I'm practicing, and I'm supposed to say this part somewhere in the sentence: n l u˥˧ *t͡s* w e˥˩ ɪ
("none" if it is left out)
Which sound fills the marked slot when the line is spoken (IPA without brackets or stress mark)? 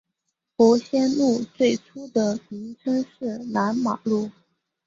t͡s